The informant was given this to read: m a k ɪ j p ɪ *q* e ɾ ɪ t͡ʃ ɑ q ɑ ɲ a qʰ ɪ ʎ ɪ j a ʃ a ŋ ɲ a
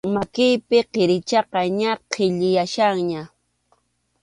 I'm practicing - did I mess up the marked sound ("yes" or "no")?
no